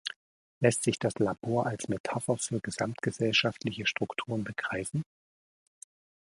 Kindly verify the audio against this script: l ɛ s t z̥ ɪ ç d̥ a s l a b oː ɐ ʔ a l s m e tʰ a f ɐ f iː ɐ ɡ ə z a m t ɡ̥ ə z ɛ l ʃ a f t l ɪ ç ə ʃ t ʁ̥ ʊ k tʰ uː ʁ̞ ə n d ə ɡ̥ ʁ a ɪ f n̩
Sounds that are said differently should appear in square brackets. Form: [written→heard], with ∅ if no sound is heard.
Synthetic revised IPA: l ɛ s t z̥ ɪ ç d̥ a s l a b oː ɐ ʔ a l s m e tʰ a f ɐ f [iː→yː] ɐ ɡ ə z a m t ɡ̥ ə z ɛ l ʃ a f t l ɪ ç ə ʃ t ʁ̥ ʊ k tʰ uː ʁ̞ ə n [d→b] ə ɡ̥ ʁ a ɪ f n̩